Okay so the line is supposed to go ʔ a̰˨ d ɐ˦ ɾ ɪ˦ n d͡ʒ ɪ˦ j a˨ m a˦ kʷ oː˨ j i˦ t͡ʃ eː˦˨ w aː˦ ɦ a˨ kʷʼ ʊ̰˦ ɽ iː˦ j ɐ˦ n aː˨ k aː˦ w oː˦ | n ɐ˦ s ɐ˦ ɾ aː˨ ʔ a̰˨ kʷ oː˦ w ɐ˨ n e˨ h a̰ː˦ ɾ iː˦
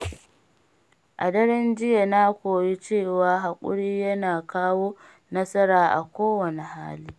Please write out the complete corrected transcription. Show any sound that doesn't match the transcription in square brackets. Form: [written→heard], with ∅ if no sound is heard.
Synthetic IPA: ʔ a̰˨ d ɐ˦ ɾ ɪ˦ n d͡ʒ ɪ˦ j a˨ [m→n] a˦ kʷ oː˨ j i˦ t͡ʃ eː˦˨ w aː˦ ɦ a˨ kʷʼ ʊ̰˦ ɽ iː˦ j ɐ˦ n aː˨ k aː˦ w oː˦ | n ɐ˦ s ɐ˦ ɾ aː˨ ʔ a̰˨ kʷ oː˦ w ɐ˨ n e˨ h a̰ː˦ [ɾ→l] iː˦